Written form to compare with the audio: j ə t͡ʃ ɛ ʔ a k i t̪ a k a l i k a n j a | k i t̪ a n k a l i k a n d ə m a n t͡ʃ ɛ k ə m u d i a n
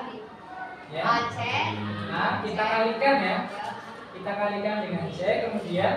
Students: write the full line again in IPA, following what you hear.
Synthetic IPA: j a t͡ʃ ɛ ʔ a k i t̪ a k a l i k a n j a | k i t̪ a k a l i k a n d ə ŋ a n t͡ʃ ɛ k ə m u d i a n